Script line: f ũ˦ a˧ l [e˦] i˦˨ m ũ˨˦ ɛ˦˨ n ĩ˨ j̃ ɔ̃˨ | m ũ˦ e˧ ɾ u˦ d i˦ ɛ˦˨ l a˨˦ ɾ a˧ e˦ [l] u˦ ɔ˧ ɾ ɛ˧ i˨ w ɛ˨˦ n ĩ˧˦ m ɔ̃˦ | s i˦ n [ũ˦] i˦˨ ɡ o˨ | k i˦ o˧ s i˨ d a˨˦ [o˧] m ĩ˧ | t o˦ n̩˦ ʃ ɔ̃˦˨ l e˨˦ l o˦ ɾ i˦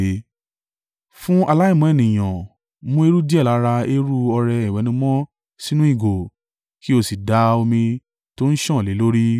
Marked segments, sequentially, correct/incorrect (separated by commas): incorrect, incorrect, correct, correct